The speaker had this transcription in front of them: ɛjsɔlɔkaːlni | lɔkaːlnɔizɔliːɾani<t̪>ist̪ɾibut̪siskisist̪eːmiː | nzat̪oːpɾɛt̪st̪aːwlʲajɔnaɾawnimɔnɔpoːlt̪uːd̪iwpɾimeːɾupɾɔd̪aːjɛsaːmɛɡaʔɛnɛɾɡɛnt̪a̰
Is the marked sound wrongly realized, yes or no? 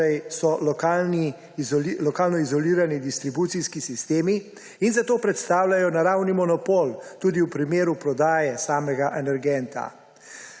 yes